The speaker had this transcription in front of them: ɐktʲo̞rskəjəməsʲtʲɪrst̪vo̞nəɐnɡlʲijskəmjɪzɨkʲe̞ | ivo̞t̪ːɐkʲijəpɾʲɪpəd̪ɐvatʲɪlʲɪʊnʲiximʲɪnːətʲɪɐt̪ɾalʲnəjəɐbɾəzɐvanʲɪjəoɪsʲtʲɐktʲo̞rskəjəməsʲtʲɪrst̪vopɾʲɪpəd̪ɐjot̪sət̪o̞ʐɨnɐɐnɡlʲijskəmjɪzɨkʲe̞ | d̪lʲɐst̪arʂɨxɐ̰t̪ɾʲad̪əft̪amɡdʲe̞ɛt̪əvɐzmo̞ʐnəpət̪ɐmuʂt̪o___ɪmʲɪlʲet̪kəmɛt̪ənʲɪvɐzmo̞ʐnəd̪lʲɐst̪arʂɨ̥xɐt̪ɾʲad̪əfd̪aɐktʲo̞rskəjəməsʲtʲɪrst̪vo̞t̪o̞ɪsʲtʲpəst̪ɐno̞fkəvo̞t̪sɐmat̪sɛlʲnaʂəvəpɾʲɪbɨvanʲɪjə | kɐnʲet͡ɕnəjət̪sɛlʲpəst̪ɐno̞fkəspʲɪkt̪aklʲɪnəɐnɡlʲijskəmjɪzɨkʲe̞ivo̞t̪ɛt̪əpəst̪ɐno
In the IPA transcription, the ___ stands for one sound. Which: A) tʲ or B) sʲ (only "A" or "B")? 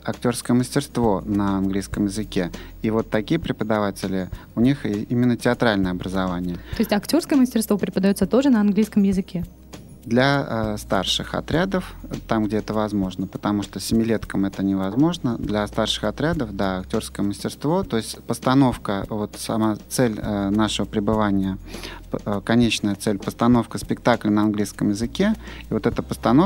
B